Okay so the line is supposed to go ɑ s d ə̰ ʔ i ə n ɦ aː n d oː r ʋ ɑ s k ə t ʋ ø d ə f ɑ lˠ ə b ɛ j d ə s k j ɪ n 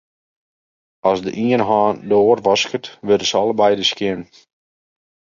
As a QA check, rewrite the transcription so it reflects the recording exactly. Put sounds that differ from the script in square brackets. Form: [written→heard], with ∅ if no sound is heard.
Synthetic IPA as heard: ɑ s d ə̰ ʔ i ə n ɦ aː n d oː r ʋ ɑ s k ə t ʋ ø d ə [f→s] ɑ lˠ ə b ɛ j d ə s k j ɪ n

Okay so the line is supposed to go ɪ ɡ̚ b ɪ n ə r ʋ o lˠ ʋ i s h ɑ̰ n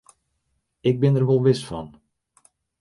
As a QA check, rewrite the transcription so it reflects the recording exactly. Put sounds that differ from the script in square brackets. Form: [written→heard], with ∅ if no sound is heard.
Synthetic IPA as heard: ɪ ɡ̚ b ɪ n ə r ʋ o lˠ ʋ [i→ɪ] s [h→f] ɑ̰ n

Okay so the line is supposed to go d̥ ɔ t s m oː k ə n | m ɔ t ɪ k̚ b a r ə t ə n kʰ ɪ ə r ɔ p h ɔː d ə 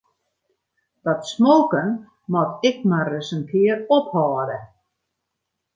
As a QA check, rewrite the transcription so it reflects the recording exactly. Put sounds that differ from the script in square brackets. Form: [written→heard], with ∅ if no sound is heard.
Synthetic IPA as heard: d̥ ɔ t s m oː k ə n | m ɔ t ɪ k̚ [b→m] a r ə [t→s] ə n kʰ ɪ ə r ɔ p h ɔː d ə

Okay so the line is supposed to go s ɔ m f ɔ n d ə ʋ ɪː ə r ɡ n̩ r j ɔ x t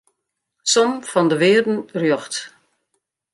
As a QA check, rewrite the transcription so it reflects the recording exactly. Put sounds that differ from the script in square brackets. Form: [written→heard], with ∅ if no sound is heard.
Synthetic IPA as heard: s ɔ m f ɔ n d ə ʋ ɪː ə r [ɡ→d] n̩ r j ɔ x t

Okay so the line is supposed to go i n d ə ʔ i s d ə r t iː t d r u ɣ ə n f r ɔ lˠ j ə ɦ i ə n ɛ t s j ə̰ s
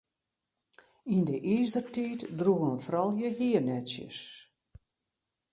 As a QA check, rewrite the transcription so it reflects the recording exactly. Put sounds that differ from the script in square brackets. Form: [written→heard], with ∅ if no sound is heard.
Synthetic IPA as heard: i n d ə ʔ i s d ə r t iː t d r u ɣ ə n f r ɔ lˠ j ə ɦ i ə n ɛ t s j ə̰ s

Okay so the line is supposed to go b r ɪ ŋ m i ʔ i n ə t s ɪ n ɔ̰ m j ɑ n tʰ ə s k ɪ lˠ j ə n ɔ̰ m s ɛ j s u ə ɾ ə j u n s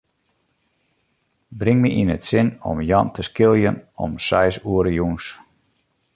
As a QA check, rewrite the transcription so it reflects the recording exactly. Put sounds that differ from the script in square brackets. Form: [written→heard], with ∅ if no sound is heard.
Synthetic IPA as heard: b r ɪ ŋ m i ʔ i n ə t s ɪ n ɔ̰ m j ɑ n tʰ ə s k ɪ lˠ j ə n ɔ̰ m s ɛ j s u ə ɾ ə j u n s

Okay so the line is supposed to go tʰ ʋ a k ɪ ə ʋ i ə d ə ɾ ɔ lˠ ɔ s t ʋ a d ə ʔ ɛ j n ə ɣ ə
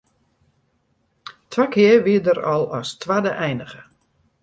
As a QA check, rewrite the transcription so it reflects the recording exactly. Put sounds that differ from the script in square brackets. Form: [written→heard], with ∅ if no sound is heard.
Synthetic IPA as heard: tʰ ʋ a k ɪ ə ʋ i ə d ə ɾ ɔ lˠ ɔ s t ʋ a d ə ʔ ɛ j n ə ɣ ə

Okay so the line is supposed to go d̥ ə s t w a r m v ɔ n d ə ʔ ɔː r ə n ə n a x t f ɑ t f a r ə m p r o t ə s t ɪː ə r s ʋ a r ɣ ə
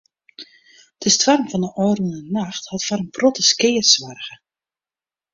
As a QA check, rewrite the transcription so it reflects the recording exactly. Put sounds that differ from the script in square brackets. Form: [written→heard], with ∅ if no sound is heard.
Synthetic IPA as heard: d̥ ə s t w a r m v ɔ n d ə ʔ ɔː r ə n ə n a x t [f→h] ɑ t f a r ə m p r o t ə s [t→k] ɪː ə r s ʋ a r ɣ ə

